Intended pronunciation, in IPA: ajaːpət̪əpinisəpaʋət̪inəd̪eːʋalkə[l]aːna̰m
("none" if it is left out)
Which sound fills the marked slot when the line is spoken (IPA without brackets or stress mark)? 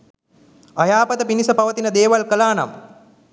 l